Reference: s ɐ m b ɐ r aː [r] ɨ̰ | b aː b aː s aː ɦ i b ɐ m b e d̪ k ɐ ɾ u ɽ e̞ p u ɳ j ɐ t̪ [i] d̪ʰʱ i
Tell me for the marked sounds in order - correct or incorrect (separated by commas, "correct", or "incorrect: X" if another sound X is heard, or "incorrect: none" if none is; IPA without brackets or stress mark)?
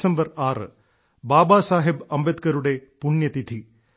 correct, correct